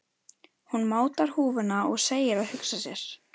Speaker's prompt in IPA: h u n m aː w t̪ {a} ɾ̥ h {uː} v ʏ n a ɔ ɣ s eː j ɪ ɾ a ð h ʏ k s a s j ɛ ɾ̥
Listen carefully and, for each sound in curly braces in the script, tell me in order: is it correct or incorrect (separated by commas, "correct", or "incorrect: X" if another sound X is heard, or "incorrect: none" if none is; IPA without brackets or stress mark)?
correct, correct